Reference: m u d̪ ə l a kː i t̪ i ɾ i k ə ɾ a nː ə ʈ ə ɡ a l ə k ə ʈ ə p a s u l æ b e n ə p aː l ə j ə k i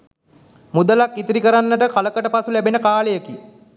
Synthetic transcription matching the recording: m u d̪ ə l a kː i t̪ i ɾ i k ə ɾ a nː ə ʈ ə k a l ə k ə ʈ ə p a s u l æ b e n ə k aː l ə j ə k i